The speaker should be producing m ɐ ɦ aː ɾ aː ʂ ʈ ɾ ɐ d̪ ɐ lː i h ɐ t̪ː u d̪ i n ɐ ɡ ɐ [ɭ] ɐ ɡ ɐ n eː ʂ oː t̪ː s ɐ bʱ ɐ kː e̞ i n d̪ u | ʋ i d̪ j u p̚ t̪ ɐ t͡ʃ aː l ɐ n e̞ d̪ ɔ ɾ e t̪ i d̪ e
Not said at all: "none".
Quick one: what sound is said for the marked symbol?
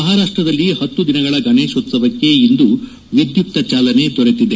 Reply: ɭ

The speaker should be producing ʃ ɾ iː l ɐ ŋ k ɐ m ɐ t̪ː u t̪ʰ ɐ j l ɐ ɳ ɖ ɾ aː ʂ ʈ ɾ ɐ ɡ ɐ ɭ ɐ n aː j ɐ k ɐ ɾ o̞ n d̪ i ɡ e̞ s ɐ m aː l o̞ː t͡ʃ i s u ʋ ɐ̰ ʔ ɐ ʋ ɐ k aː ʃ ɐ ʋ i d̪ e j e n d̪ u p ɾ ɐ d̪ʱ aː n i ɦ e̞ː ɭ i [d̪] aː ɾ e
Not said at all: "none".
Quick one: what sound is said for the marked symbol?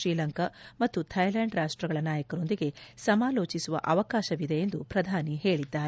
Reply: d̪ː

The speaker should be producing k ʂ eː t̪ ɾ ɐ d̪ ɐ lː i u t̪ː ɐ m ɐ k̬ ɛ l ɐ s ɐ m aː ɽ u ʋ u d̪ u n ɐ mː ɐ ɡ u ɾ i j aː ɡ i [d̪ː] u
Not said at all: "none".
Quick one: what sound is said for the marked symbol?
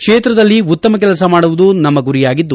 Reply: d̪ː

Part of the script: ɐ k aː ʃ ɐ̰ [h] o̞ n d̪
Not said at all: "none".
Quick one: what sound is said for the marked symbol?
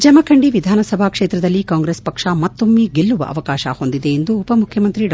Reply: h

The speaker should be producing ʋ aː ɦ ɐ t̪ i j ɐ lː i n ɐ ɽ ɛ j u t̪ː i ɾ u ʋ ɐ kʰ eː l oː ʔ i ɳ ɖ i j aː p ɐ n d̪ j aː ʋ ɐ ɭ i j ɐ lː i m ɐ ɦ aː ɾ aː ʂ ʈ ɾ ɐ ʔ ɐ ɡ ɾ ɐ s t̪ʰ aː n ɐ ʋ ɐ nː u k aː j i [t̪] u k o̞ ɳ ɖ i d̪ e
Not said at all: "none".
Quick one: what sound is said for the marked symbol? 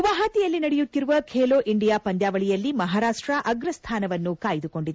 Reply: d̪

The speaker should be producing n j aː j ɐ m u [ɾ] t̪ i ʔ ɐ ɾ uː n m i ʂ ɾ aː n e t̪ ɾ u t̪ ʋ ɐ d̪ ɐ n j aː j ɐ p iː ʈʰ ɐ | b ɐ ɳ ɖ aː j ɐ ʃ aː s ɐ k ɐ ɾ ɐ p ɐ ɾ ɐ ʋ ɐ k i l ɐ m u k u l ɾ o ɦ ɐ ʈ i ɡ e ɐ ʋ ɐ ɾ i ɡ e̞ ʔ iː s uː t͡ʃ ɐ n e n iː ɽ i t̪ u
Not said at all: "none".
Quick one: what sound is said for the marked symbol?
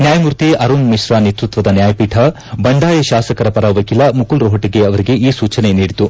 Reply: ɾ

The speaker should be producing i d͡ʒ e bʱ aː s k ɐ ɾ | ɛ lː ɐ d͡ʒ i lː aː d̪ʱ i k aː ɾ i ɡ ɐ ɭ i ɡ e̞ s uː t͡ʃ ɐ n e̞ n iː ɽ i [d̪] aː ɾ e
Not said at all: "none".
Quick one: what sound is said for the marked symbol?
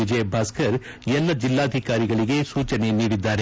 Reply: d̪ː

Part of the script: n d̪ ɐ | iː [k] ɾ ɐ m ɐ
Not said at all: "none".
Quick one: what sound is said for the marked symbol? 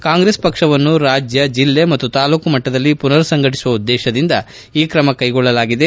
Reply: k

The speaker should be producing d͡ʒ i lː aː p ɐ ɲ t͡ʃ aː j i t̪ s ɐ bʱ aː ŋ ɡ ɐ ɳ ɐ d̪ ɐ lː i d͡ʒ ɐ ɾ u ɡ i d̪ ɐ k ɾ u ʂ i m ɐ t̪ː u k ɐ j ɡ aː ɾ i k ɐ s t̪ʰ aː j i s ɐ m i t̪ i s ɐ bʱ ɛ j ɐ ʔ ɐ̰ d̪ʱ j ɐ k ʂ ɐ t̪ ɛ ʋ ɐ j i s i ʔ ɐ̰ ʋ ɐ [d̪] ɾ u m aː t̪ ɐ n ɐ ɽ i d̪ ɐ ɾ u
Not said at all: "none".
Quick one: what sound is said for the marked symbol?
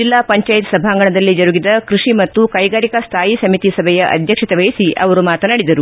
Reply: none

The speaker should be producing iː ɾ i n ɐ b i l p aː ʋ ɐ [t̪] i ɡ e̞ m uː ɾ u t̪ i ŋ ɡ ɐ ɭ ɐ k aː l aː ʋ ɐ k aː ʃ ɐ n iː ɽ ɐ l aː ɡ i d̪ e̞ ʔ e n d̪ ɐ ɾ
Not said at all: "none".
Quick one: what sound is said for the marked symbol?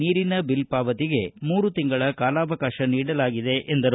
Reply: t̪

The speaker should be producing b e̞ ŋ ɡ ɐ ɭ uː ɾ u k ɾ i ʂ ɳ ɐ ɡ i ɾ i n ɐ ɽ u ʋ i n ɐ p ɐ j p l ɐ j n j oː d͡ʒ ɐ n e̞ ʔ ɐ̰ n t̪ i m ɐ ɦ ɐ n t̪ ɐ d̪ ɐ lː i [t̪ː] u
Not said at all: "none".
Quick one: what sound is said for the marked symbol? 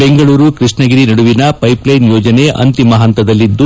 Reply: d̪ː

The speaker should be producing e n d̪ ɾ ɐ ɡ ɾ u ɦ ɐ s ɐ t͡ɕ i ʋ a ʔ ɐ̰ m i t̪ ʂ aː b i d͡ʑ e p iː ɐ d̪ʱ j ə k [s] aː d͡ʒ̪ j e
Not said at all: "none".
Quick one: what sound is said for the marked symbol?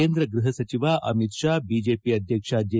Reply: ʂ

